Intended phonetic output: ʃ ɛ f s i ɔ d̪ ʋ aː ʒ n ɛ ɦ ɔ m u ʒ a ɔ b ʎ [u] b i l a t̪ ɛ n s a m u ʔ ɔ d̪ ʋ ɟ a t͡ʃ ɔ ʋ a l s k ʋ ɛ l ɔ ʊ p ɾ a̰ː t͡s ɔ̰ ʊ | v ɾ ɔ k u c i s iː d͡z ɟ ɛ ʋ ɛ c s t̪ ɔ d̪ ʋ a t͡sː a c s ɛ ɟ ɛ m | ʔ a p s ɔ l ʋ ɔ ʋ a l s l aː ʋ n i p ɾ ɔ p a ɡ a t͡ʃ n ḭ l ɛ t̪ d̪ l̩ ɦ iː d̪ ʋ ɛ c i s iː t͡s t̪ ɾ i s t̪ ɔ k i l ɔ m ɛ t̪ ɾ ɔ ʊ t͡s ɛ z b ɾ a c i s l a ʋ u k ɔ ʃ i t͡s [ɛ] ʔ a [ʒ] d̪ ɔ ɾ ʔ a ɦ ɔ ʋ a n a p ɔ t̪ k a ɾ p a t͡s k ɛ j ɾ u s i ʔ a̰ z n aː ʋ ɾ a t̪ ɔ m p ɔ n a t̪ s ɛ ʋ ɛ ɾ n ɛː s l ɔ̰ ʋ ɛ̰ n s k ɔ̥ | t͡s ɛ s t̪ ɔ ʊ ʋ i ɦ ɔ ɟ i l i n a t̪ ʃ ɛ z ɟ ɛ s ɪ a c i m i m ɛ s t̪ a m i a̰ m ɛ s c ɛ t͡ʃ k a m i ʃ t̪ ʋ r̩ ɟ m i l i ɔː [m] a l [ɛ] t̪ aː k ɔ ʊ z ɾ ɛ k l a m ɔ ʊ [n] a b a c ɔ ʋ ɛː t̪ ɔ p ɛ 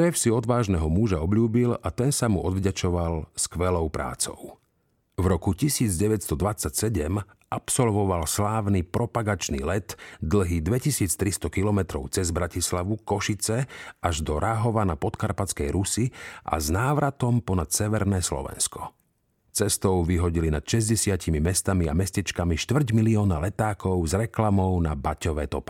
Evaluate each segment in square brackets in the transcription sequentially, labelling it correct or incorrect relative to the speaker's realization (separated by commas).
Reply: incorrect, correct, correct, incorrect, correct, correct